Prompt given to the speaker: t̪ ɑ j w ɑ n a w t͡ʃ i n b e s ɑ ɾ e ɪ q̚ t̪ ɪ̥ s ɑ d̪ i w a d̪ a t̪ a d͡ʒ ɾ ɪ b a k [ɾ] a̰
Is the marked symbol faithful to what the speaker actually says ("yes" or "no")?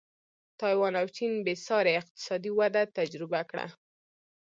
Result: no